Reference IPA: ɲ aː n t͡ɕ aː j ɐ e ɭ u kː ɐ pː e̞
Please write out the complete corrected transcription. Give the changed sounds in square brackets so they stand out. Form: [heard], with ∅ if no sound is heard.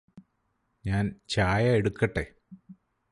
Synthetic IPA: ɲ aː n t͡ɕ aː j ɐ e [ɽ] u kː ɐ [ʈː] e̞